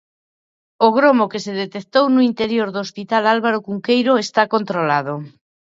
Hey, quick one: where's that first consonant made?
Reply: velum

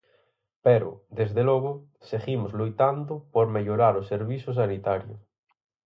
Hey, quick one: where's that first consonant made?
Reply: lips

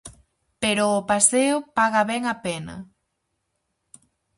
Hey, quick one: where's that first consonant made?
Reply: lips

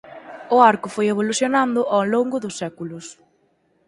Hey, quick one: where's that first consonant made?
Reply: tongue tip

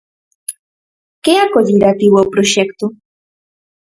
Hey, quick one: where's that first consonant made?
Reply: velum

